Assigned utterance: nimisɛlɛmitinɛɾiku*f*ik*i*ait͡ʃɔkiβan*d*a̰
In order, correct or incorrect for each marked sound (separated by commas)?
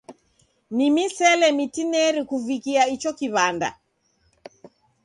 incorrect, correct, correct